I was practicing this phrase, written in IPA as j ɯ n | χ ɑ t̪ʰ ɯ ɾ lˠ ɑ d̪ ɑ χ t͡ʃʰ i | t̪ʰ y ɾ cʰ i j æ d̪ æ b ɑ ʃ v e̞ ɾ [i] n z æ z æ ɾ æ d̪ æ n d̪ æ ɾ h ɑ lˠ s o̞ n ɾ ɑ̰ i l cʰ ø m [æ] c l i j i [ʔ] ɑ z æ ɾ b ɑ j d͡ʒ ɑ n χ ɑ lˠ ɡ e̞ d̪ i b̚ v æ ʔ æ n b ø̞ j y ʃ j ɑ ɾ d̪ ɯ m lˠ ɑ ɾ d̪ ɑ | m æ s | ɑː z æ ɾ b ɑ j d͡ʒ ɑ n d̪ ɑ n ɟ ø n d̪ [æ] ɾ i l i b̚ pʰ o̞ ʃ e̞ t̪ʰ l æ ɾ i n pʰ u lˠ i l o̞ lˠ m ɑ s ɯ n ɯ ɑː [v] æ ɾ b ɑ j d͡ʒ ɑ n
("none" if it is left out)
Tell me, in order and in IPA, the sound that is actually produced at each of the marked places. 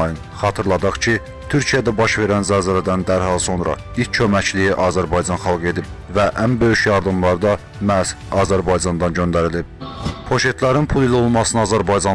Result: æ, æ, ʔ, æ, z

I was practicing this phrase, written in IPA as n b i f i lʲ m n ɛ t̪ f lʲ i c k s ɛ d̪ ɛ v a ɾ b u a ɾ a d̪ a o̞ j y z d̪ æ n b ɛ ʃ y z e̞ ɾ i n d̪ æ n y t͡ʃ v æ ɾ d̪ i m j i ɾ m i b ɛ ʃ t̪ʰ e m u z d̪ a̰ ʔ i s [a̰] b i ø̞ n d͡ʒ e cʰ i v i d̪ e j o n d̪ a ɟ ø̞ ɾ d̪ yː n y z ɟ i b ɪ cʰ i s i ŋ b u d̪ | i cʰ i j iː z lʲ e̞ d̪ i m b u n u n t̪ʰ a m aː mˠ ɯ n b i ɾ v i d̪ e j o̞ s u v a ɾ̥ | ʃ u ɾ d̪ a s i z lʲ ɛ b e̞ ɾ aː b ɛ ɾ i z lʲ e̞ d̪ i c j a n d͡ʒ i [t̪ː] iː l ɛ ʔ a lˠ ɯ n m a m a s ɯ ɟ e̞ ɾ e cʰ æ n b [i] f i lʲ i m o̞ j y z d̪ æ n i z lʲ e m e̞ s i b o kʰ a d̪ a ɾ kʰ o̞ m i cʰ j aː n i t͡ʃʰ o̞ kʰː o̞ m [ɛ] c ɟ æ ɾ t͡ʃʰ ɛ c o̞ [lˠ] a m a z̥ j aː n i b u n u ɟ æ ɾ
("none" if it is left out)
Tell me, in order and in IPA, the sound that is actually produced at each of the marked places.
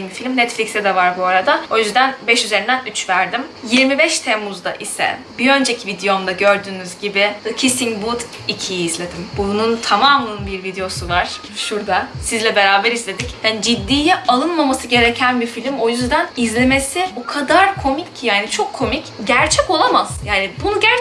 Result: ɛ̰, d̪ː, i, i, lˠ

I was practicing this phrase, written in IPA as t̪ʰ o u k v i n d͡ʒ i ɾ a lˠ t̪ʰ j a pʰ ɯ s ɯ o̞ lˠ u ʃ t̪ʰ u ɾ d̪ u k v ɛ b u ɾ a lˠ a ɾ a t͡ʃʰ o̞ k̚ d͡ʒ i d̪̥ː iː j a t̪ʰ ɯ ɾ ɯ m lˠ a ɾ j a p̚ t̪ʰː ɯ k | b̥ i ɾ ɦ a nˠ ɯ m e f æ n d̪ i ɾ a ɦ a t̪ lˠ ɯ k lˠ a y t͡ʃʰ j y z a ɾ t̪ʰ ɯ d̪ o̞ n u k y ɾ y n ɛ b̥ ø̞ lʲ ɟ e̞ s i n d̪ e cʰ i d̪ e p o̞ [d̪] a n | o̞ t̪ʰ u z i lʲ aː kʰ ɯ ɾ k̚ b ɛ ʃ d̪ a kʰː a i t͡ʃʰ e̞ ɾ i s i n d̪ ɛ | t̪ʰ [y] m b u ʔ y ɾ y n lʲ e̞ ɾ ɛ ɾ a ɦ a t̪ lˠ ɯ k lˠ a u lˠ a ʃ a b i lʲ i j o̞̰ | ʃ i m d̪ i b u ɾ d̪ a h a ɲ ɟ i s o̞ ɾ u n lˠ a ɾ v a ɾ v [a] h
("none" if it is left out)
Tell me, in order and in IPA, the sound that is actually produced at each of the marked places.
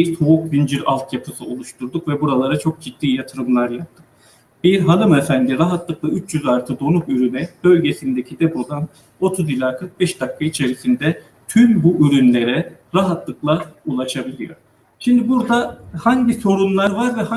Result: d̪, y, ɛ

